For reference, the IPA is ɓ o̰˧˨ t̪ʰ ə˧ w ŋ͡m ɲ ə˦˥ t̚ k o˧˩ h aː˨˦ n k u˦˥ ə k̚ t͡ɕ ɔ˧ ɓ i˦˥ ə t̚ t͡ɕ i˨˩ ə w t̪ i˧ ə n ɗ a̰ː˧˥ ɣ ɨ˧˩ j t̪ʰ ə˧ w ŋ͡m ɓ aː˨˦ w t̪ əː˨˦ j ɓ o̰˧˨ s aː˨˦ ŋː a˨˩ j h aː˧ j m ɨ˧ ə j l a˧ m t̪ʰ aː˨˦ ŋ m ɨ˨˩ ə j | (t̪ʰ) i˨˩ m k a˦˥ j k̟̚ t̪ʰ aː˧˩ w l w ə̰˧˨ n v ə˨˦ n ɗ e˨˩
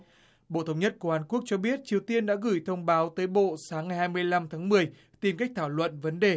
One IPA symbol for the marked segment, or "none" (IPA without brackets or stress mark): t̪